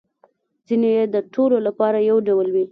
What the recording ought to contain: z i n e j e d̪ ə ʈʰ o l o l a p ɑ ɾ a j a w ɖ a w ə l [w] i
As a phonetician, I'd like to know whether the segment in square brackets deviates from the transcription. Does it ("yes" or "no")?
no